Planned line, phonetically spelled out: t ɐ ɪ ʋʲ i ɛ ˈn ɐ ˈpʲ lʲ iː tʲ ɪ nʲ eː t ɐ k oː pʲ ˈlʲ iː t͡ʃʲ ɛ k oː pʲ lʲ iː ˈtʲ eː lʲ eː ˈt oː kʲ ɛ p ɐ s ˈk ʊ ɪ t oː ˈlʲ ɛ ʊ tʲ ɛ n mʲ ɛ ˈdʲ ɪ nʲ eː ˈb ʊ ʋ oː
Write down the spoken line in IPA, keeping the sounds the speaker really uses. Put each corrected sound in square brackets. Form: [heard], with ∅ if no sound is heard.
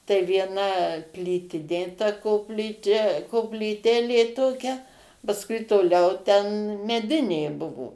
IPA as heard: t ɐ ɪ ʋʲ i ɛ ˈn ɐ ˈpʲ lʲ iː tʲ ɪ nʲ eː t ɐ k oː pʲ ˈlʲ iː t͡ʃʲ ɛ k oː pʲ lʲ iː ˈtʲ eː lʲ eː ˈt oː kʲ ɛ p ɐ s ˈk ʊ ɪ t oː ˈlʲ ɛ ʊ tʲ ɛ n mʲ ɛ ˈdʲ ɪ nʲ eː ˈb ʊ ʋ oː